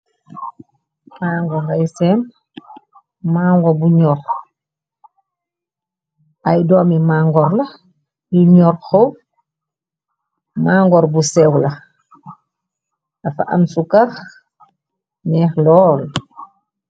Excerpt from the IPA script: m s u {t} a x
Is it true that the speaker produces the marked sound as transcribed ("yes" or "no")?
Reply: no